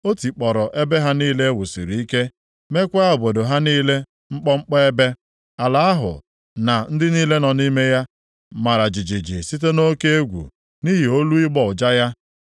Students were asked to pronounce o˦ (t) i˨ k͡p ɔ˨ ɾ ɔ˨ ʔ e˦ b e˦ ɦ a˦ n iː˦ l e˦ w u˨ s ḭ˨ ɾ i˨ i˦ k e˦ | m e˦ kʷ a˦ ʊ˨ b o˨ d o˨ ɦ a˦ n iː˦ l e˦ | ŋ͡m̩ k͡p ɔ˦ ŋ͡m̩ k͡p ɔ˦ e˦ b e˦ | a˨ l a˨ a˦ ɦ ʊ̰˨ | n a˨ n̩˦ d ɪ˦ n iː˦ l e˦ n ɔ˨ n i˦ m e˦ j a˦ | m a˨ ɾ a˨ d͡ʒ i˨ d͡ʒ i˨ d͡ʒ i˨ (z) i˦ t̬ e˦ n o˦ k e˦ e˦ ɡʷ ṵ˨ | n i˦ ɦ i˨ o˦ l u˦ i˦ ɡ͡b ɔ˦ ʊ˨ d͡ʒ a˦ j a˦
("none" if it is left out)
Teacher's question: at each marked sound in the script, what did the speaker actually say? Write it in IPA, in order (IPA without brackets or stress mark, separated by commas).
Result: t, s